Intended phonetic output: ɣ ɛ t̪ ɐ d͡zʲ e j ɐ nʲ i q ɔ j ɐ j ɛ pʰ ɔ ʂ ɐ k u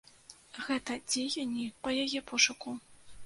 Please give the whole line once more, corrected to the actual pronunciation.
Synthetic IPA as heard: ɣ ɛ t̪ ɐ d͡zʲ e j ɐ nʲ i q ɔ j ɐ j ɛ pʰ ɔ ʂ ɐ k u